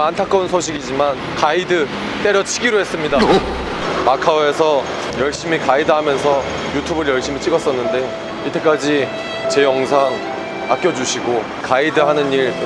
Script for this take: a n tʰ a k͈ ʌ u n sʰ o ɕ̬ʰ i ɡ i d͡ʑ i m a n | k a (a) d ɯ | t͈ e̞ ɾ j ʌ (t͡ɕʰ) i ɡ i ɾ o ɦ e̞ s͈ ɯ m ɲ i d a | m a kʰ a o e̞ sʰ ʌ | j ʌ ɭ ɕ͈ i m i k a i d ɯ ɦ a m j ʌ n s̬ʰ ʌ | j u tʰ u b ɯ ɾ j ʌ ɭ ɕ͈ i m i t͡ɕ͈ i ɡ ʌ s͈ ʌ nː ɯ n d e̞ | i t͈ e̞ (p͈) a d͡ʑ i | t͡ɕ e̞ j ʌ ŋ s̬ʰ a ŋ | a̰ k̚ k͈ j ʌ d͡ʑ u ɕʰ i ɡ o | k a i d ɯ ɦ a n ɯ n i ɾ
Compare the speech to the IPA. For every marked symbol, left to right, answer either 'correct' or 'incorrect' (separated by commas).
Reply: incorrect, correct, incorrect